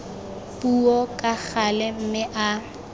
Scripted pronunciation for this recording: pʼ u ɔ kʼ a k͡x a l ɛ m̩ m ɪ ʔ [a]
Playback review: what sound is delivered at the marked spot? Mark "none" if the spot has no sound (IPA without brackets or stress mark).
a